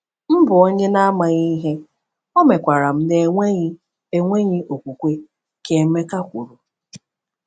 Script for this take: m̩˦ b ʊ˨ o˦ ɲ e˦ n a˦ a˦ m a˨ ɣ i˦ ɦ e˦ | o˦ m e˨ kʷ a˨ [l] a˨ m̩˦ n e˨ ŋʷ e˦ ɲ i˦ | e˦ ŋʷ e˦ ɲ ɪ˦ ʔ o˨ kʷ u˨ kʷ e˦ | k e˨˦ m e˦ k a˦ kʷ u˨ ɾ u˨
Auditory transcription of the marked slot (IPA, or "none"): ɾ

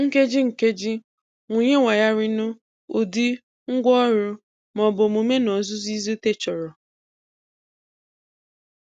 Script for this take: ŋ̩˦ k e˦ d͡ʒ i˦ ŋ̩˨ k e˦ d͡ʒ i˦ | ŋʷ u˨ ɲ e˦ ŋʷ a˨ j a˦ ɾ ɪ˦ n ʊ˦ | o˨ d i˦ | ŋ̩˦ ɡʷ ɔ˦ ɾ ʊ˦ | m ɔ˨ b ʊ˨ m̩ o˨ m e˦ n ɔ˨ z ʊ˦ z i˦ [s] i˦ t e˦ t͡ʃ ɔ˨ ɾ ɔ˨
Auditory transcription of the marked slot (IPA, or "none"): z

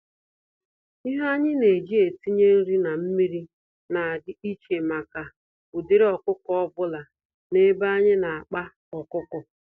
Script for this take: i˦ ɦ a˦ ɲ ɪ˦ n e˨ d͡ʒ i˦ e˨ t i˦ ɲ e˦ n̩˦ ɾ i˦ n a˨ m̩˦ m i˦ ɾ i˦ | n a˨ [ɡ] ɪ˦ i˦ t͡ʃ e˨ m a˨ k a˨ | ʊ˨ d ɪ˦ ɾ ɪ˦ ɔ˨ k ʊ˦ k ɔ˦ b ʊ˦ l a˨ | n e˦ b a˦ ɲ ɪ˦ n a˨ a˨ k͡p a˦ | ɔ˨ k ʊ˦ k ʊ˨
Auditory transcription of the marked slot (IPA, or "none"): d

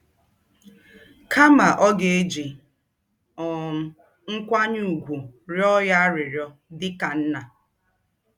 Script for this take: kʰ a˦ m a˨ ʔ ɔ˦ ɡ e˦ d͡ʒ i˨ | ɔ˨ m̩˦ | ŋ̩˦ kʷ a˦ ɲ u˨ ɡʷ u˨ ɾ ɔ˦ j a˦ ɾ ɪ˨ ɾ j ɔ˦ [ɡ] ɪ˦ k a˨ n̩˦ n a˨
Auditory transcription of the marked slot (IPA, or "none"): d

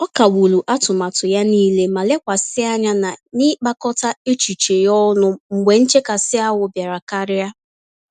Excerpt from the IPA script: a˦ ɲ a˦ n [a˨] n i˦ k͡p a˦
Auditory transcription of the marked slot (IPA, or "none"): a˨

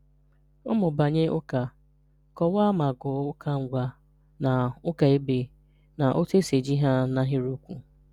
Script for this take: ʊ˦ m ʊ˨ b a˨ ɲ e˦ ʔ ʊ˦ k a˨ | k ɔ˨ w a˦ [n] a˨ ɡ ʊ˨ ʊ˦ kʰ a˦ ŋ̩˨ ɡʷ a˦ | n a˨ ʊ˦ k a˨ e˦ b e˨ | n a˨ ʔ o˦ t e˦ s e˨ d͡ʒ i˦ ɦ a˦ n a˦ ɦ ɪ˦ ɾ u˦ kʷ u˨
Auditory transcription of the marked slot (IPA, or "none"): m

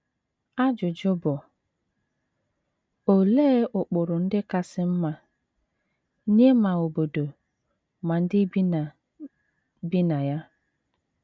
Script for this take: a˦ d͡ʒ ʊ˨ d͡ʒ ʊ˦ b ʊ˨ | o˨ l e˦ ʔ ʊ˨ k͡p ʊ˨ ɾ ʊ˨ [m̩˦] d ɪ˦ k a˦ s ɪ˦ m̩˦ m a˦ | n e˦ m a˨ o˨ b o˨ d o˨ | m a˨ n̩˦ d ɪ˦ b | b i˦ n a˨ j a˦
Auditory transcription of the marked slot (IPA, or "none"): n̩˦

